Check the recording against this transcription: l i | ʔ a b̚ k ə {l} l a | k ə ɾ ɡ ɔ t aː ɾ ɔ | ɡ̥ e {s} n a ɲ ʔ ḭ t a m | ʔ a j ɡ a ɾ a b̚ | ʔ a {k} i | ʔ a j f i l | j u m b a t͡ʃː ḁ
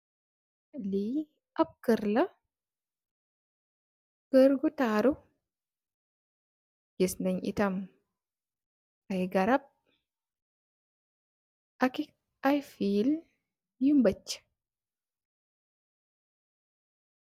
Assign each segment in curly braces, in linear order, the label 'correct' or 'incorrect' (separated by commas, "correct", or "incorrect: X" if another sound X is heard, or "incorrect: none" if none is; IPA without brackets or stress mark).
incorrect: ɾ, correct, correct